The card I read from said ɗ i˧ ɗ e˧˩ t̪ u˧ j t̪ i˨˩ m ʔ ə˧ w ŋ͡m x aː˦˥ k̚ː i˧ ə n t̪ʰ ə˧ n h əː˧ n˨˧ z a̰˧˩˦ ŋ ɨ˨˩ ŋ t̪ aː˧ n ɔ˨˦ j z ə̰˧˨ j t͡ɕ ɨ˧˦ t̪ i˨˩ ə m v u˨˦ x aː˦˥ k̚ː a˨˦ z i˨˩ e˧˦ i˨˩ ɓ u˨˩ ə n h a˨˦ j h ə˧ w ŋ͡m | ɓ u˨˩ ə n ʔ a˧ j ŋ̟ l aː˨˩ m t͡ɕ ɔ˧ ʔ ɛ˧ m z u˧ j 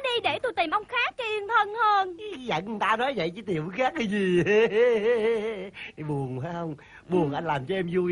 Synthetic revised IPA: ɗ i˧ ɗ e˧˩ t̪ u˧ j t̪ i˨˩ m ʔ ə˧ w ŋ͡m x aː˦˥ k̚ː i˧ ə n t̪ʰ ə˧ n h əː˧ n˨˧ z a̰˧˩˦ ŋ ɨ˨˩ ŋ t̪ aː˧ n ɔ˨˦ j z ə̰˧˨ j t͡ɕ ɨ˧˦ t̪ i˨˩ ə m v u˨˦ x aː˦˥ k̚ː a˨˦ z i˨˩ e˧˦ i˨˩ ɓ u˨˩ ə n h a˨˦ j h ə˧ w ŋ͡m | ɓ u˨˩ ə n ʔ a˧ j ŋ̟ l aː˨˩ m t͡ɕ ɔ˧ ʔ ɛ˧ m z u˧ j